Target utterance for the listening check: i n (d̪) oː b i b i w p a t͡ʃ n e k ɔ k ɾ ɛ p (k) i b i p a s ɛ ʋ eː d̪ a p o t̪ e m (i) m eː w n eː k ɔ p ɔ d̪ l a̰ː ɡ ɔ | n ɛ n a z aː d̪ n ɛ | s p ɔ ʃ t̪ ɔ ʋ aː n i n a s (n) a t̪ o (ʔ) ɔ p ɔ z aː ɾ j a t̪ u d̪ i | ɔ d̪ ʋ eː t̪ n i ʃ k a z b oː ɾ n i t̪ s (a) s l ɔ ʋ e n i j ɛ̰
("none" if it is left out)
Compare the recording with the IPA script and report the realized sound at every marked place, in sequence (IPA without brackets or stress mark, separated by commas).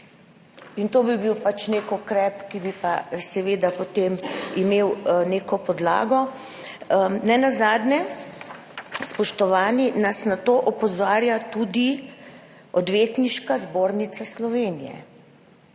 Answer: t̪, k, i, n, ʔ, a